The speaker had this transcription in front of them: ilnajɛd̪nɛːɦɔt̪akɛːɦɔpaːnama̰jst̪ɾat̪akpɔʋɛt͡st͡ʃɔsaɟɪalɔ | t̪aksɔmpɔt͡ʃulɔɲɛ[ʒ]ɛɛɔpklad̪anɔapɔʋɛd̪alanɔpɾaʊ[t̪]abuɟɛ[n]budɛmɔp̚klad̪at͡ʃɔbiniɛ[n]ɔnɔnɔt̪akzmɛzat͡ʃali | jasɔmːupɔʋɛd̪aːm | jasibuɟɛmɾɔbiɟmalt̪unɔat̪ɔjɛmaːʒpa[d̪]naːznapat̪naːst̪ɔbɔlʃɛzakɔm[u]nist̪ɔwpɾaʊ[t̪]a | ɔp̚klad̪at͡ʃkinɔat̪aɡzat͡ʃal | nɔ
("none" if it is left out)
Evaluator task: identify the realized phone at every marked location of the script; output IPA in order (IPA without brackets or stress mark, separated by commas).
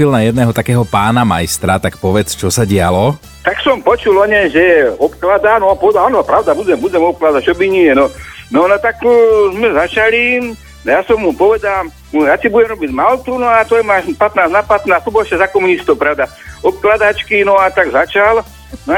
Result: ʒ, d̪, m, n, t̪, u, d̪